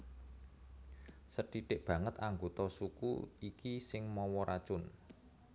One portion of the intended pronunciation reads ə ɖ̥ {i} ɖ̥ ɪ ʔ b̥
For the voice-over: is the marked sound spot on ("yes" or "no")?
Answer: yes